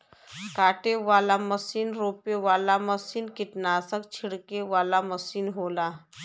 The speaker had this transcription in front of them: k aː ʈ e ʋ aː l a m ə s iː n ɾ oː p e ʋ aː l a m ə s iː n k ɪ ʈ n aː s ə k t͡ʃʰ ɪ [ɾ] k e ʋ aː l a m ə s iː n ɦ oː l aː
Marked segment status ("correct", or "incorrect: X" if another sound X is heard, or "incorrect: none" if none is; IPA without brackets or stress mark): incorrect: ɽ